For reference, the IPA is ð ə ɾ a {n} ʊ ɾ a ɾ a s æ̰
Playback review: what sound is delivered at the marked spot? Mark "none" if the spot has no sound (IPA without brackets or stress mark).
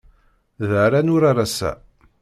n